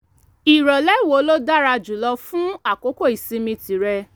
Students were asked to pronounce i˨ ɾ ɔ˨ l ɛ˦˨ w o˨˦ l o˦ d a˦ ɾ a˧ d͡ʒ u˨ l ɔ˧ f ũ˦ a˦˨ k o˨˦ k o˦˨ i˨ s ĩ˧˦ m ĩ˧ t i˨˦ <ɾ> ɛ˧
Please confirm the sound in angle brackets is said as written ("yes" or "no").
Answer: yes